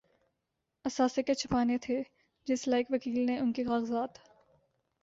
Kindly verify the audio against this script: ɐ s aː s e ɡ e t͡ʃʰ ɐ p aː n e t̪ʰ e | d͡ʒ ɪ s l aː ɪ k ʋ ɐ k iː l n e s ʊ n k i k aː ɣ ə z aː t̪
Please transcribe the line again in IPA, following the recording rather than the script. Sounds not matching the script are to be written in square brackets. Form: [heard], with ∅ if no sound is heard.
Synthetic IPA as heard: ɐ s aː s e [k] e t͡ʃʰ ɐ p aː n e t̪ʰ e | d͡ʒ ɪ s l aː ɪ k ʋ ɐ k iː l n e [∅] ʊ n k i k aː ɣ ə z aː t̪